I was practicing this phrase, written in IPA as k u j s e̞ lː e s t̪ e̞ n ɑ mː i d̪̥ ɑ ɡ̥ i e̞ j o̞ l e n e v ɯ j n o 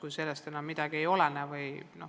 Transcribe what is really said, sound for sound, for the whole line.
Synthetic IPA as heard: k u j s e̞ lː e s t̪ e̞ n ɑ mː i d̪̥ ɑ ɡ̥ i e̞ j o̞ l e n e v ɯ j n o